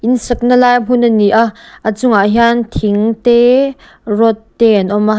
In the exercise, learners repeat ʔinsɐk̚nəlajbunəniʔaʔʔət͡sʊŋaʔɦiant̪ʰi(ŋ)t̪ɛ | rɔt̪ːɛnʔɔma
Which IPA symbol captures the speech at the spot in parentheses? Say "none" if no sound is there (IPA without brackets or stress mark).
ŋ